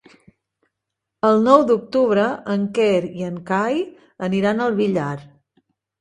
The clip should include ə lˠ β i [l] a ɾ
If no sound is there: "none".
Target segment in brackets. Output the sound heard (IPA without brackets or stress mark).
ʎ